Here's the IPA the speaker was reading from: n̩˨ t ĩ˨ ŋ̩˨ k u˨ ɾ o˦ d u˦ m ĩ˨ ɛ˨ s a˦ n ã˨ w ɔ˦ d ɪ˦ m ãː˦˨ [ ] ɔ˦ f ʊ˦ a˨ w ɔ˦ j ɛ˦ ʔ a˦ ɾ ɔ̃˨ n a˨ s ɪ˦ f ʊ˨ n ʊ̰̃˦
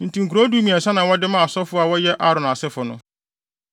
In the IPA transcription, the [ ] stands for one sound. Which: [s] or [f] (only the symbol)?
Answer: s